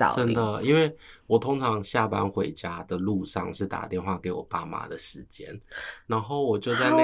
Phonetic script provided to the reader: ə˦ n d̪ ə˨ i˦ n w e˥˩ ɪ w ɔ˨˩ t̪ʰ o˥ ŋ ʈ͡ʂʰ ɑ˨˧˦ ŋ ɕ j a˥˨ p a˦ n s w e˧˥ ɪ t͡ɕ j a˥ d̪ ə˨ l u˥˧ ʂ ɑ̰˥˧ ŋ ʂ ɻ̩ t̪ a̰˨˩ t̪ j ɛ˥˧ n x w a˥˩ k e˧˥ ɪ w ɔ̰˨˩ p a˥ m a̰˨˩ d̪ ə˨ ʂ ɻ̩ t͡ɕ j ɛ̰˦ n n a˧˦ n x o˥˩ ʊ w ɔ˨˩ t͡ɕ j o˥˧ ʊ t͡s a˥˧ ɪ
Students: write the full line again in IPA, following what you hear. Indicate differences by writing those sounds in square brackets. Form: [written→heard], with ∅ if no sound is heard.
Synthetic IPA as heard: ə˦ n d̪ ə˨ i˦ n w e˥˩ ɪ w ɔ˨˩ t̪ʰ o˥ ŋ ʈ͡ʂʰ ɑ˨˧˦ ŋ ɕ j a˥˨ p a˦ n [s→x] w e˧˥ ɪ t͡ɕ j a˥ d̪ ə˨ l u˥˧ ʂ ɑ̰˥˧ ŋ ʂ ɻ̩ t̪ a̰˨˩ t̪ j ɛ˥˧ n x w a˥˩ k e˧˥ ɪ w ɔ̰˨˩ p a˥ m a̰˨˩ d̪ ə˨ ʂ ɻ̩ t͡ɕ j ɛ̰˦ n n a˧˦ n x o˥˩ ʊ w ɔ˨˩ t͡ɕ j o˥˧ ʊ t͡s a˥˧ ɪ